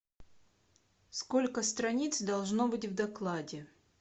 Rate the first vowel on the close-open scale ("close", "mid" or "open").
mid